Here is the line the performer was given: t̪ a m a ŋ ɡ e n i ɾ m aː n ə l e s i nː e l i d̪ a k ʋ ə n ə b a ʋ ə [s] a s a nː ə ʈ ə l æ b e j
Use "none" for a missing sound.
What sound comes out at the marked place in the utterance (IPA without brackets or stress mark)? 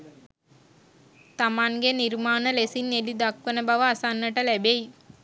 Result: none